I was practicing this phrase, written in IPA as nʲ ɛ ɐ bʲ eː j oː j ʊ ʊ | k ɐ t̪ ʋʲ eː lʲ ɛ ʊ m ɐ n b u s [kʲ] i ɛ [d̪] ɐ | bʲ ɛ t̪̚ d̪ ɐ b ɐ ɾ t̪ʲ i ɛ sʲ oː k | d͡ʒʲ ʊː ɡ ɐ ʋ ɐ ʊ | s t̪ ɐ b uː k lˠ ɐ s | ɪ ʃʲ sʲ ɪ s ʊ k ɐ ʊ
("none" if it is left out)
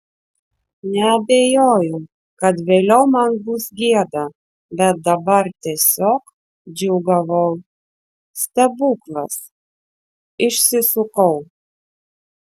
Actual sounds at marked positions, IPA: ɡʲ, d̪

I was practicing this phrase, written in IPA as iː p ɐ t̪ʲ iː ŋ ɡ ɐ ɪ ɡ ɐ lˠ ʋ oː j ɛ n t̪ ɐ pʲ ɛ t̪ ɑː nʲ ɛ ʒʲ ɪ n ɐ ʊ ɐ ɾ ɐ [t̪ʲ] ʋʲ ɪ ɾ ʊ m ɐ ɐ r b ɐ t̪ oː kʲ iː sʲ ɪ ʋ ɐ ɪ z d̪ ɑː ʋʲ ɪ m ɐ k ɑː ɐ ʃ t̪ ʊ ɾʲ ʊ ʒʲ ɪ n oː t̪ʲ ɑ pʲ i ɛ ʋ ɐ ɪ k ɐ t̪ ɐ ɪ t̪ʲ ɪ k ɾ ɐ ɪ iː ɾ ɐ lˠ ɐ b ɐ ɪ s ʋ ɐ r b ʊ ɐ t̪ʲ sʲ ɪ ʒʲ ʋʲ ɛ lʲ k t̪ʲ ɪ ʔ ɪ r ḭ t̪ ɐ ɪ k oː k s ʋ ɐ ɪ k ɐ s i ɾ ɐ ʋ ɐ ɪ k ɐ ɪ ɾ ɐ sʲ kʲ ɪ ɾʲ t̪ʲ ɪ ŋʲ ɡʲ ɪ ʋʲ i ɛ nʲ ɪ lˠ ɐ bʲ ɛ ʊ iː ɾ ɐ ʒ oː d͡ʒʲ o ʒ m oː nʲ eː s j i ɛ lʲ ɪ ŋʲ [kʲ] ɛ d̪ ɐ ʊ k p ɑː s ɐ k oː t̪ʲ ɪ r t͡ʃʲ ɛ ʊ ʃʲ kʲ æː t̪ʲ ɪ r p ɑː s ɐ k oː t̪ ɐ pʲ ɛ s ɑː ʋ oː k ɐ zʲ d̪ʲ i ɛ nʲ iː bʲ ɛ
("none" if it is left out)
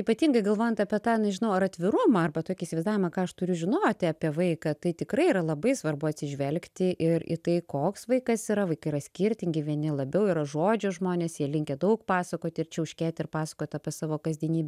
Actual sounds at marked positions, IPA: t̪ʲ, kʲ

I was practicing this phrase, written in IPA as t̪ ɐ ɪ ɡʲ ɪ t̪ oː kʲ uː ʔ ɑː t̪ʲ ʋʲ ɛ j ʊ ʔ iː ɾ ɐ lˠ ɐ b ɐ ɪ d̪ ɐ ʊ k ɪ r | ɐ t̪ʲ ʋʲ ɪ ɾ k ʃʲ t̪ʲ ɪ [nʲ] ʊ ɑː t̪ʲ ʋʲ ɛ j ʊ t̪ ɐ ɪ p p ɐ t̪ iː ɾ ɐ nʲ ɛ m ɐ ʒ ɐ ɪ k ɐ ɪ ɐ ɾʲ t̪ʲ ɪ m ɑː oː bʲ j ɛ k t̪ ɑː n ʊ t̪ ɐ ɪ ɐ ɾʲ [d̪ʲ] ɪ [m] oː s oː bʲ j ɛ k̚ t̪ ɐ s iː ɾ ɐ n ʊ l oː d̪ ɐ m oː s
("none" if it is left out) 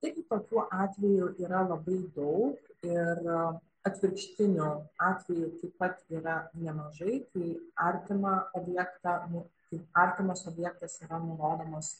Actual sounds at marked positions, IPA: nʲ, t̪ʲ, m

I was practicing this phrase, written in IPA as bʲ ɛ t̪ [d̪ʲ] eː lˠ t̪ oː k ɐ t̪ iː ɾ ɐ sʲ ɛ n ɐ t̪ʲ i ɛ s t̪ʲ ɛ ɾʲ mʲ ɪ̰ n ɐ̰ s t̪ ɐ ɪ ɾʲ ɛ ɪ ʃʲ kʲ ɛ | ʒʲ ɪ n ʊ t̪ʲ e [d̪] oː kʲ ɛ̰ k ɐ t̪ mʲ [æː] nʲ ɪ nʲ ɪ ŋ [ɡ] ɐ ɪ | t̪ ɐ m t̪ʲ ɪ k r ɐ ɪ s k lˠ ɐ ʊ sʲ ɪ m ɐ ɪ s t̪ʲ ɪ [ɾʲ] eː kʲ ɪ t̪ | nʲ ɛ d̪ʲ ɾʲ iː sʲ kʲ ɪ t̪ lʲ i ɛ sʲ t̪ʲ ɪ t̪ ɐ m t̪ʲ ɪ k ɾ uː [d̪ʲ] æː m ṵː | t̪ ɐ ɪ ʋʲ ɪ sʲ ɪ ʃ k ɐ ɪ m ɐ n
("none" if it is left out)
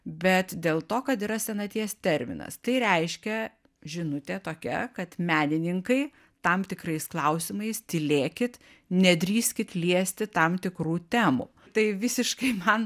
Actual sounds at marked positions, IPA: d̪ʲ, t̪, æː, k, lʲ, t̪ʲ

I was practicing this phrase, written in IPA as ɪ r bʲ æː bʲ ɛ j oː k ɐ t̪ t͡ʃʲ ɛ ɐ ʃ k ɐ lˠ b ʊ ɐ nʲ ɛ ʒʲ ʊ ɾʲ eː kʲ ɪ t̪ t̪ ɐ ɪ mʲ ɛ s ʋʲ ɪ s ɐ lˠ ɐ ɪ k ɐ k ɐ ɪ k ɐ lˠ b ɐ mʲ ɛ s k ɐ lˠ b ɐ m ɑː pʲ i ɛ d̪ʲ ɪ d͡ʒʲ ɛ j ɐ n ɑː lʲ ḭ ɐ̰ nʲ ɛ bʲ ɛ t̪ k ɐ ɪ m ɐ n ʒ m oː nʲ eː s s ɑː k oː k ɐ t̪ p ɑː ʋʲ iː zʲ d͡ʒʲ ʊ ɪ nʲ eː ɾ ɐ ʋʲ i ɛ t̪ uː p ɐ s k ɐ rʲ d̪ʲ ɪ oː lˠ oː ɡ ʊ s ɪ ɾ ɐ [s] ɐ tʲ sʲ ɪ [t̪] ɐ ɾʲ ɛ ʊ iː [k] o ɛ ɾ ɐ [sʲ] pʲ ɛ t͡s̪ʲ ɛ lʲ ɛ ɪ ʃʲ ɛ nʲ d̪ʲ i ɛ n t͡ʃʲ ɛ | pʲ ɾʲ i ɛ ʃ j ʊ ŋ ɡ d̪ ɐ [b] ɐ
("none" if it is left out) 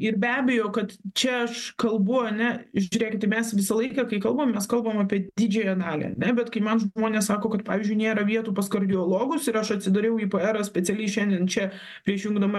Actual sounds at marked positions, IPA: ʃ, d̪, p, sʲ, m

